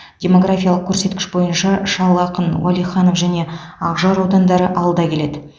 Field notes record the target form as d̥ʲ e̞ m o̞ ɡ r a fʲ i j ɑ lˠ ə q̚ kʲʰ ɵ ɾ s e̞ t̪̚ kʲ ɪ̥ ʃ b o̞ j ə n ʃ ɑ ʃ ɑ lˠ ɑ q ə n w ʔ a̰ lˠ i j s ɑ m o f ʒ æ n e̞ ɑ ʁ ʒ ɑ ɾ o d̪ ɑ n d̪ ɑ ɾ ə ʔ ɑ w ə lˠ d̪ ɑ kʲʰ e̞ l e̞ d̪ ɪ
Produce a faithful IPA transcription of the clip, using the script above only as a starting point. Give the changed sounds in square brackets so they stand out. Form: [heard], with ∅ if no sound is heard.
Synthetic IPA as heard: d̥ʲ e̞ m o̞ ɡ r a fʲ i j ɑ lˠ ə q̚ kʲʰ ɵ ɾ s e̞ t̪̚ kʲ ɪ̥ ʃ b o̞ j ə n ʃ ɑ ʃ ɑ lˠ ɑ q ə n w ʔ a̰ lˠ i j [χ] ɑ [n] o f ʒ æ n e̞ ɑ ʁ ʒ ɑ ɾ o d̪ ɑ n d̪ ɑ ɾ ə ʔ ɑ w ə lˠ d̪ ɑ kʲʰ e̞ l e̞ d̪ ɪ